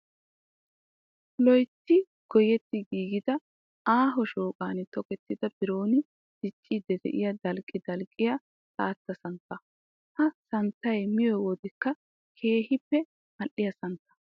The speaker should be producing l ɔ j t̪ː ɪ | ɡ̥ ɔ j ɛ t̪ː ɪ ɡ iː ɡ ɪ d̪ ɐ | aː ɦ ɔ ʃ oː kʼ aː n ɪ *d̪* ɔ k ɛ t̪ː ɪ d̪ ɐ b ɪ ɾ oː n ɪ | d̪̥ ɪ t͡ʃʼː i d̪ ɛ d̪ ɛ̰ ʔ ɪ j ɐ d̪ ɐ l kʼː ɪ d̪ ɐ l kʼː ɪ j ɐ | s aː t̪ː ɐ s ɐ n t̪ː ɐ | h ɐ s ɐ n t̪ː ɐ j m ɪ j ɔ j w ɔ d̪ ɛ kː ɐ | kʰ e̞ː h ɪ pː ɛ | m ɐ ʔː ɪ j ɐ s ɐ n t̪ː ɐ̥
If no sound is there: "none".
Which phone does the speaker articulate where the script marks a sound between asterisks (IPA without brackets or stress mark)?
t̪